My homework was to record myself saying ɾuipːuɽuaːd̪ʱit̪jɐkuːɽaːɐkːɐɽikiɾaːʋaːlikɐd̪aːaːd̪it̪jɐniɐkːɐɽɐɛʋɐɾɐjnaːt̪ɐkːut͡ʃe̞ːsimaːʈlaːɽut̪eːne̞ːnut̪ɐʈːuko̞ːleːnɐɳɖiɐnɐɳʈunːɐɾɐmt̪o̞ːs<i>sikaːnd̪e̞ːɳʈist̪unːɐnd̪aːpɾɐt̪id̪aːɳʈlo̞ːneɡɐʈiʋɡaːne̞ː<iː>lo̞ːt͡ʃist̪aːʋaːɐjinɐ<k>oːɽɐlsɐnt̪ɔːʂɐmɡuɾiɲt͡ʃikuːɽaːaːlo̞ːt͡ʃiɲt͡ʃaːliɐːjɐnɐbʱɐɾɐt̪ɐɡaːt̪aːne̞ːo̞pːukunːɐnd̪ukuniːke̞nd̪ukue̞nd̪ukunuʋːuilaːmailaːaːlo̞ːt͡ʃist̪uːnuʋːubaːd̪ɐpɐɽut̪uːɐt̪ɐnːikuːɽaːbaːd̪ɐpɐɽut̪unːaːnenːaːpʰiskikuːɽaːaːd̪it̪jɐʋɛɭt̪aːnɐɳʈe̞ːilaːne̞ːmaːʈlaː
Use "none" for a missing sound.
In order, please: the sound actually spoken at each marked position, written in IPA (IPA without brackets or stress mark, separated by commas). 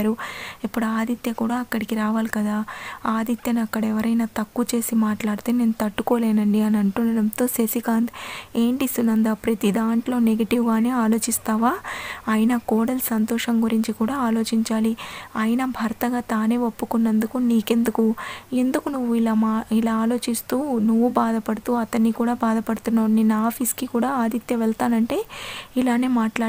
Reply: e, aː, k